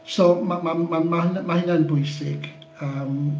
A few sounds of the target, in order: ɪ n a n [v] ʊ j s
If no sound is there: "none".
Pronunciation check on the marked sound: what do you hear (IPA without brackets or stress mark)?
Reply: b